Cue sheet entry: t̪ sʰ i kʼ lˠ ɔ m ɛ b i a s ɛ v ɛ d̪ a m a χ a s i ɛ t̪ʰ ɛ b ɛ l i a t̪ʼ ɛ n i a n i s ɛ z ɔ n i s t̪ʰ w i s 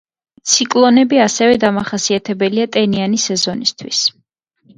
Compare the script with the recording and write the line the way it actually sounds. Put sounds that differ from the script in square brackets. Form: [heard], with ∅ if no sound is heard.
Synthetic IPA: t̪ sʰ i kʼ lˠ ɔ [n] ɛ b i a s ɛ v ɛ d̪ a m a χ a s i [a] t̪ʰ ɛ b ɛ l i a t̪ʼ ɛ n i a n i s ɛ z ɔ n i s t̪ʰ w i s